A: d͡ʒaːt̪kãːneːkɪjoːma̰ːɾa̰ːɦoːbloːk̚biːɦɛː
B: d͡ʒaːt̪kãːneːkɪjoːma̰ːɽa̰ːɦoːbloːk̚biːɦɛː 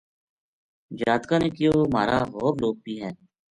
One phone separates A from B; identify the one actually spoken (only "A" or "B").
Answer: A